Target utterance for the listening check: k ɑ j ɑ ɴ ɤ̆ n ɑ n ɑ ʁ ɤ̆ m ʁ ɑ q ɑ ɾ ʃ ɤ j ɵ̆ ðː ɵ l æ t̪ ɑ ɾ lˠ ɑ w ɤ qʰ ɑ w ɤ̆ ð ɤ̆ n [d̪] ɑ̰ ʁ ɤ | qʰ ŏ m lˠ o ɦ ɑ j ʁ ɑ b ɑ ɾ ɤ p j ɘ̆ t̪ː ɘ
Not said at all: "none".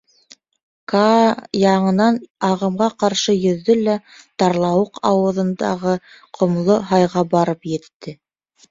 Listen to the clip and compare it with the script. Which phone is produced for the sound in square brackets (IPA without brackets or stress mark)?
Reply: d̪